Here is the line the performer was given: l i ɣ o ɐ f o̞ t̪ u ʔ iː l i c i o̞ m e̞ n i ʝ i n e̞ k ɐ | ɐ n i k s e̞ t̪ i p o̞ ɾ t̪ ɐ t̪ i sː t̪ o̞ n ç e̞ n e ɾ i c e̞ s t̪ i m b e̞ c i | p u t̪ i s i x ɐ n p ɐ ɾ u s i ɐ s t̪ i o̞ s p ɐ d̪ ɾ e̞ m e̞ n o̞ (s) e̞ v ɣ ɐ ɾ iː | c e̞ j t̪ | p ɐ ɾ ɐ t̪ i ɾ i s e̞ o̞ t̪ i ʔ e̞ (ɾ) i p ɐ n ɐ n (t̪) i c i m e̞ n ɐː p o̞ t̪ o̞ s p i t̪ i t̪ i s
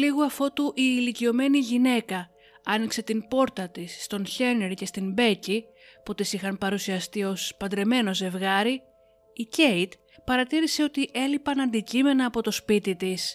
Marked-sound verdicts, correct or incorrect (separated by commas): incorrect, incorrect, incorrect